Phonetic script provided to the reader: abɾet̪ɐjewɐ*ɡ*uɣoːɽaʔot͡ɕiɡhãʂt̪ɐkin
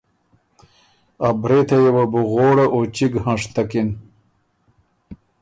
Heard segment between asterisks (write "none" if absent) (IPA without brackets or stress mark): b